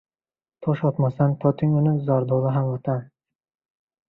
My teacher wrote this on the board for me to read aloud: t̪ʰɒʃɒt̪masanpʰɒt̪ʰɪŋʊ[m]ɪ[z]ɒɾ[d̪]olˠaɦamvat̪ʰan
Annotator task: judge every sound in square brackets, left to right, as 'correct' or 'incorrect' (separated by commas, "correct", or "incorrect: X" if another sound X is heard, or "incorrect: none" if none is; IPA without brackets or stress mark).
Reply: incorrect: n, correct, correct